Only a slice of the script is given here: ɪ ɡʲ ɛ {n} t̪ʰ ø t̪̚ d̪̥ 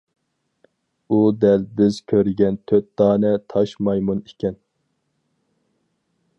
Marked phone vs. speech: correct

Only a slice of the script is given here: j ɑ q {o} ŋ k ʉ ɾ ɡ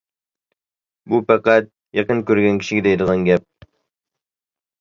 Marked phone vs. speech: incorrect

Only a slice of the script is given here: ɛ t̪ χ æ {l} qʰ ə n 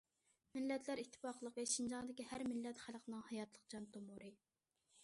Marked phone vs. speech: correct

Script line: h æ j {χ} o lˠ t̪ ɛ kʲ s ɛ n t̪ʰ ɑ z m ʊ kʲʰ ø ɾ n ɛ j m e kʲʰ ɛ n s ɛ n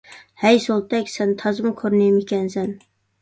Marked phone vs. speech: incorrect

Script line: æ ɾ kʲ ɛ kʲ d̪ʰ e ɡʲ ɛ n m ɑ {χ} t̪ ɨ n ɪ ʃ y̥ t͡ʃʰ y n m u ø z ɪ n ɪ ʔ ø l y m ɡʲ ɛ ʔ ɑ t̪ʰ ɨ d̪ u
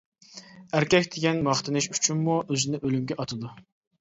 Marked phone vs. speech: correct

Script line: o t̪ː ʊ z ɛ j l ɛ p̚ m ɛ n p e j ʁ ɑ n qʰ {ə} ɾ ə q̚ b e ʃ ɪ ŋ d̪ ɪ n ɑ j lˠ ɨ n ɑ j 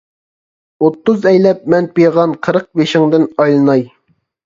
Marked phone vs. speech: correct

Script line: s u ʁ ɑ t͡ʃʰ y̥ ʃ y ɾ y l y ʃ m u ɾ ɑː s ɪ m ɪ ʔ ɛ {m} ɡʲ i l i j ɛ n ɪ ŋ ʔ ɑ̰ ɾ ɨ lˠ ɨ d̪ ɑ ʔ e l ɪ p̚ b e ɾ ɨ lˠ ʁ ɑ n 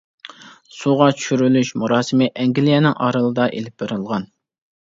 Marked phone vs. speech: incorrect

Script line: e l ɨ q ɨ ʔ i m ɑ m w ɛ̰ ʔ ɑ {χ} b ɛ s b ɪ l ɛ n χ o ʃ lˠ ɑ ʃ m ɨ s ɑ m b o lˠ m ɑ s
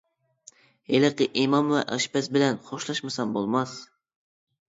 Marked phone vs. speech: incorrect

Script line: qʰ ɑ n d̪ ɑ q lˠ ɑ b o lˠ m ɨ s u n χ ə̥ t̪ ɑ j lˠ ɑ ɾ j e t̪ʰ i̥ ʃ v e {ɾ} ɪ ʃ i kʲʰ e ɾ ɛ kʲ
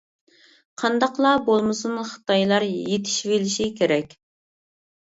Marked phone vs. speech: incorrect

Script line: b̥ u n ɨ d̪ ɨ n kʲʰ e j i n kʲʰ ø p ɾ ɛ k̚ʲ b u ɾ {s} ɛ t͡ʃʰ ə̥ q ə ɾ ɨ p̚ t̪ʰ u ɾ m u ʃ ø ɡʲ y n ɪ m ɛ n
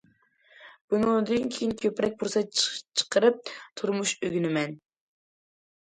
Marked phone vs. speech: correct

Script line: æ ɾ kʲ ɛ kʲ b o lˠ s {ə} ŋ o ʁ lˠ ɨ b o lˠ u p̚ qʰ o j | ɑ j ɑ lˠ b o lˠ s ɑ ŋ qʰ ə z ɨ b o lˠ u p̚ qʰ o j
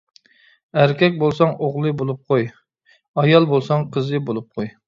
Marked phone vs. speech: incorrect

